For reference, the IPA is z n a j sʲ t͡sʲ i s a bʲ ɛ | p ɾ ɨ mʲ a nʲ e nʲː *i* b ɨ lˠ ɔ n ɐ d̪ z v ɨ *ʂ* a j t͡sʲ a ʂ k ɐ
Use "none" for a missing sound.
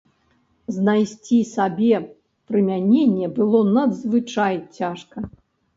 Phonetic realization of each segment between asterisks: ɛ, t͡ʂ

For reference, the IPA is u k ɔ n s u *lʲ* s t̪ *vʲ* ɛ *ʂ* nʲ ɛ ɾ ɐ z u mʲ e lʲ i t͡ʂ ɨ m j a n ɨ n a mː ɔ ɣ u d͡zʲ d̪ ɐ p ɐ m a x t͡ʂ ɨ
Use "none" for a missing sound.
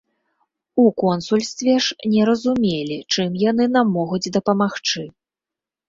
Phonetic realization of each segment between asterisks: lʲ, vʲ, ʂ

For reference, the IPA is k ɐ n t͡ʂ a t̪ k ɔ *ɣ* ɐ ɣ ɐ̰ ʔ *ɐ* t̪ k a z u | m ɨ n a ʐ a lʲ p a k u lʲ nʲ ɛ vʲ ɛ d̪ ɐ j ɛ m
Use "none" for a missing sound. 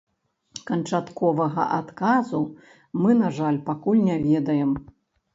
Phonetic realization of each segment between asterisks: v, a

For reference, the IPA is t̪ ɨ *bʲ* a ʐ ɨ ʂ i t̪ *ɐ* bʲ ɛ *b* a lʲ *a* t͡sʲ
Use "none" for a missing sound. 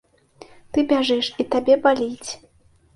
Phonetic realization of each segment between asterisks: bʲ, a, b, i

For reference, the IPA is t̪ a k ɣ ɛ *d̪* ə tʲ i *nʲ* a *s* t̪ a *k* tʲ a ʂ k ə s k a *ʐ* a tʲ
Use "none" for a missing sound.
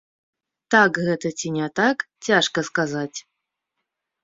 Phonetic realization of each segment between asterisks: t̪, nʲ, none, k, z

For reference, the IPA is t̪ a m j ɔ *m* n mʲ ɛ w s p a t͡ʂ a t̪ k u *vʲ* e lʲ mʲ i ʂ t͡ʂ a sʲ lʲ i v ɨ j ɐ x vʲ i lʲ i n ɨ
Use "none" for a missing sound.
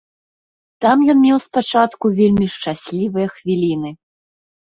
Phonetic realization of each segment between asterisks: none, vʲ

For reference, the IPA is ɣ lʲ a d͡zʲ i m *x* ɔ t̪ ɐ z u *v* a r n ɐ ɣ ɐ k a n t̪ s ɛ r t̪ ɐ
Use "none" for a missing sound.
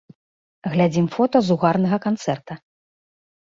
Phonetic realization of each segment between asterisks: f, ɣ

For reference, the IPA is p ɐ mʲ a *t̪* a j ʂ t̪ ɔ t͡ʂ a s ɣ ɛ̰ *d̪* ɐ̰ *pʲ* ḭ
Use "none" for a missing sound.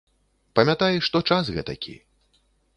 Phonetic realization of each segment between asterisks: t̪, t̪, kʲ

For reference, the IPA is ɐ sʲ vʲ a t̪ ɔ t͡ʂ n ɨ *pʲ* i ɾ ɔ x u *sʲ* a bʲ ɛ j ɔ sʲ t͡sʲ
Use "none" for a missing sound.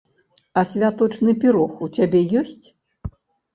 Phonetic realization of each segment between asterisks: pʲ, t͡sʲ

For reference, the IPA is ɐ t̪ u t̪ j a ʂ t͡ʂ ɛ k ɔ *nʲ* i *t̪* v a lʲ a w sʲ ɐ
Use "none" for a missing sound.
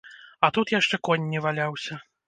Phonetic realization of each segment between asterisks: nʲː, none

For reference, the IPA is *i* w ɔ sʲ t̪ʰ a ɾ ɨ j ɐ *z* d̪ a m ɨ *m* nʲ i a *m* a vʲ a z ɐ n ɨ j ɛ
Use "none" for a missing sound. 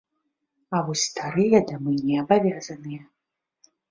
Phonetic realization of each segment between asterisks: a, none, none, b

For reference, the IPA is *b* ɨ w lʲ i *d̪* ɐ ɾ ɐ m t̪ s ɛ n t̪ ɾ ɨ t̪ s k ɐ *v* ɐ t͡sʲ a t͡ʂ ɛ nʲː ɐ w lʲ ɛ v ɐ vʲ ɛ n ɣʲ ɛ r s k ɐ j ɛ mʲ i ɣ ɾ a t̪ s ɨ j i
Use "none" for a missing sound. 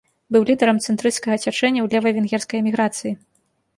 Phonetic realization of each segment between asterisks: b, d̪, ɣ

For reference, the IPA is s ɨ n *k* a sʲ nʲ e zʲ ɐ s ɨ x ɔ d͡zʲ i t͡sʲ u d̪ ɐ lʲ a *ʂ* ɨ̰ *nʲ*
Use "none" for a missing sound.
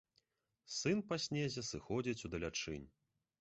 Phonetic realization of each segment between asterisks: p, t͡ʂ, nʲ

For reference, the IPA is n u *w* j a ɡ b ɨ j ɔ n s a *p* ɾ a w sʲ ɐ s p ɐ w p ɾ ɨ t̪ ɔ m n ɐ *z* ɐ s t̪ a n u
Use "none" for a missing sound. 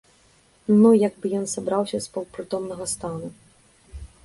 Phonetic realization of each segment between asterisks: none, b, ɣ

